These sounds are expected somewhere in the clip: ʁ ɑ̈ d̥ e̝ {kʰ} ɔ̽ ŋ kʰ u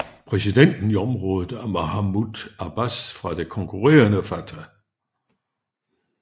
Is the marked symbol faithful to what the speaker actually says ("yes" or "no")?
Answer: yes